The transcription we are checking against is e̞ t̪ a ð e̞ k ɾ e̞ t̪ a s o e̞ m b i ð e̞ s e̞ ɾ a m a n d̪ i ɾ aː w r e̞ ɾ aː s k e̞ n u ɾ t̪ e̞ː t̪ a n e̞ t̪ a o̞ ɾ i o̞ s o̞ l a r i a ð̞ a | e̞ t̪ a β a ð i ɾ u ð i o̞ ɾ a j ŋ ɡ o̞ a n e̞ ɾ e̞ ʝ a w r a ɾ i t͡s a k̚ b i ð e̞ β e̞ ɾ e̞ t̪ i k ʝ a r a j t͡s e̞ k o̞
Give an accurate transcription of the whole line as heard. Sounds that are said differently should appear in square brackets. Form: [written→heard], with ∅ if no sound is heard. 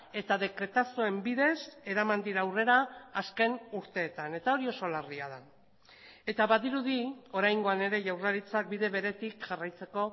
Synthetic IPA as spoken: e̞ t̪ a ð e̞ k ɾ e̞ t̪ a s o e̞ m b i ð e̞ s e̞ ɾ a m a n d̪ i ɾ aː w r e̞ ɾ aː s k e̞ n u ɾ t̪ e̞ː t̪ a n e̞ t̪ a o̞ ɾ i o̞ s o̞ l a r i a ð̞ a | e̞ t̪ a β a ð i ɾ u ð i o̞ ɾ a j ŋ ɡ o̞ a n e̞ ɾ e̞ ʝ a w r a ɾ i t͡s a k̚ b i ð e̞ β e̞ ɾ e̞ t̪ i k ʝ a r a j t͡s e̞ k o̞